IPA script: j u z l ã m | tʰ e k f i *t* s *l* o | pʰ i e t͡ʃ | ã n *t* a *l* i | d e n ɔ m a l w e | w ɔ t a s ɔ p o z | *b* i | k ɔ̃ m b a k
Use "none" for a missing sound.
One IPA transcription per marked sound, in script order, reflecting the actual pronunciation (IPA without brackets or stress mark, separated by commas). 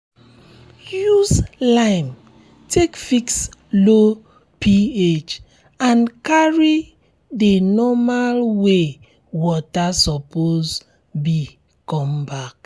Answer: k, l, k, ɹ, b